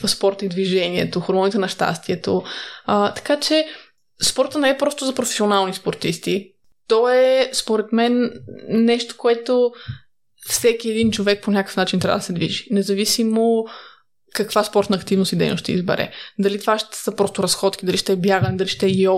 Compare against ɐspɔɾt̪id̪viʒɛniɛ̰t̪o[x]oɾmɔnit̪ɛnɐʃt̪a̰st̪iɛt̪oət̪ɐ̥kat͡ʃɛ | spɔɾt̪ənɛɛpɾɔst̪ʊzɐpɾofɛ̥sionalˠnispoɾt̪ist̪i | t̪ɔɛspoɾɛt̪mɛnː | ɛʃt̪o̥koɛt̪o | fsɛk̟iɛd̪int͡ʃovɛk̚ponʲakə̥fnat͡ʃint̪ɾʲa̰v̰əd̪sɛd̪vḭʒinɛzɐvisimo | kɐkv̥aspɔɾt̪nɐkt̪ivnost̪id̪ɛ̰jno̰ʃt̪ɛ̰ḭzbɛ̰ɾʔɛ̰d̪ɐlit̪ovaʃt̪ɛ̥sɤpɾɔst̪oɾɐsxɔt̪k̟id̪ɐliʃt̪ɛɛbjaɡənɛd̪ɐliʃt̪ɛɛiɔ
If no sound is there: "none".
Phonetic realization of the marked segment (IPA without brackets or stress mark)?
x